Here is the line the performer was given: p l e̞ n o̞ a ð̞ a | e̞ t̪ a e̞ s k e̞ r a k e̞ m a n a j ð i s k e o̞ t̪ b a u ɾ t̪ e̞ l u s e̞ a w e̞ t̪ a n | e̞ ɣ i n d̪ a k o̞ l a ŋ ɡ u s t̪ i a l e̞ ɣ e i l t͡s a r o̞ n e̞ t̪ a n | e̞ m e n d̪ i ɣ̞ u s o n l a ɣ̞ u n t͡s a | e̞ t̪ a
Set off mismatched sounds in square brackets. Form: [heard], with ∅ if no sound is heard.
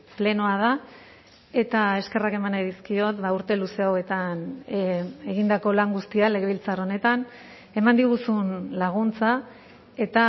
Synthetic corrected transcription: p l e̞ n o̞ a ð̞ a | e̞ t̪ a e̞ s k e̞ r a k e̞ m a n a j ð i s k [i] o̞ t̪ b a u ɾ t̪ e̞ l u s e̞ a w e̞ t̪ a n | e̞ ɣ i n d̪ a k o̞ l a ŋ ɡ u s t̪ i a l e̞ ɣ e i l t͡s a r o̞ n e̞ t̪ a n | e̞ m [a] n d̪ i ɣ̞ u s [u] n l a ɣ̞ u n t͡s a | e̞ t̪ a